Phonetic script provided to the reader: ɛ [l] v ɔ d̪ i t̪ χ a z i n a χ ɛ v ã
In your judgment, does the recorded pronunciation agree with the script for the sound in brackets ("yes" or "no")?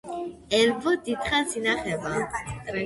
yes